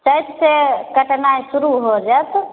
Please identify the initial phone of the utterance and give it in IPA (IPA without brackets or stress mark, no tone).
t͡ʃ